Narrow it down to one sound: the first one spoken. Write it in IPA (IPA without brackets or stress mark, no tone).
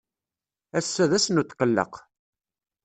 æ